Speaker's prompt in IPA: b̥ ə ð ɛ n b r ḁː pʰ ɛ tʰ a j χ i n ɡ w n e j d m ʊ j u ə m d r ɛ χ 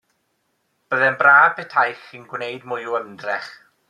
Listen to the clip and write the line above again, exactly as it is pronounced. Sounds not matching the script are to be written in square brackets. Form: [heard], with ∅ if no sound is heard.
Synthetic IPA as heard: b̥ ə ð ɛ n b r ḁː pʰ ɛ tʰ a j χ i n ɡ w n e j d m ʊ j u ə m d r ɛ χ